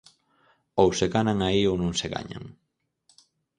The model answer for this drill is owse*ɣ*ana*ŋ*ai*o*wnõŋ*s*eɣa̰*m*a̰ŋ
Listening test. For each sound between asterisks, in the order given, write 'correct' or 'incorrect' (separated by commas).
correct, correct, correct, correct, incorrect